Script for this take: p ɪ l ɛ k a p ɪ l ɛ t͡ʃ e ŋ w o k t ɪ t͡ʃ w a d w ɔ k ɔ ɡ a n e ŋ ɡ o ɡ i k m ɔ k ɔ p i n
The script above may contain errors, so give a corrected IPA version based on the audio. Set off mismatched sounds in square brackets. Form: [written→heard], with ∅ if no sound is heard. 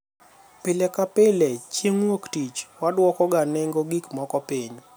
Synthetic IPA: p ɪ l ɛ k a p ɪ l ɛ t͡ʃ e ŋ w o k t [ɪ→i] t͡ʃ w a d w ɔ k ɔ ɡ a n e ŋ ɡ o ɡ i k m ɔ k ɔ p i [n→ɲ]